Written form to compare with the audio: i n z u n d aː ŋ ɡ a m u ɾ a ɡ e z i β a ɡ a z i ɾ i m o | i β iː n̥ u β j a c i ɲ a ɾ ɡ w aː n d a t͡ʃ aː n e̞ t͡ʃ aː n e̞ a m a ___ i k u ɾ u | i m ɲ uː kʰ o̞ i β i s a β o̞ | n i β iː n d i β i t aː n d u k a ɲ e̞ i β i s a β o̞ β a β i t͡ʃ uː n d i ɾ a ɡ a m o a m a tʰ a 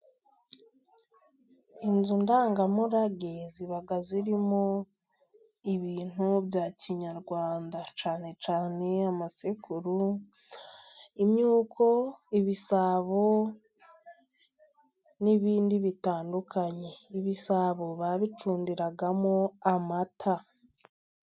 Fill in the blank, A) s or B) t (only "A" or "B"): A